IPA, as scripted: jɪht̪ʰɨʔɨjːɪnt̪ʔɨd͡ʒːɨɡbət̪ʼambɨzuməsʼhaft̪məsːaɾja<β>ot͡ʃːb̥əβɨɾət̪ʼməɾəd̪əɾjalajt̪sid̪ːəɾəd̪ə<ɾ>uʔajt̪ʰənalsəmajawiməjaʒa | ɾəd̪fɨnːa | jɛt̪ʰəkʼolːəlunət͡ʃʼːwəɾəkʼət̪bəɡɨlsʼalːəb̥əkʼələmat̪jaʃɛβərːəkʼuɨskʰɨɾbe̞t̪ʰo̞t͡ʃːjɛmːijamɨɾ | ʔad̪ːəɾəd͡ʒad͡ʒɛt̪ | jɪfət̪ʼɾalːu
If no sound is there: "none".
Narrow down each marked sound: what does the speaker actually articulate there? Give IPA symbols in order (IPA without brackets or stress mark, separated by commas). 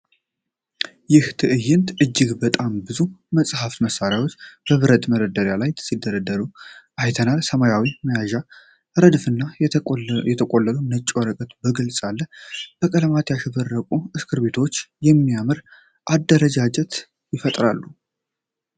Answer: w, ɾ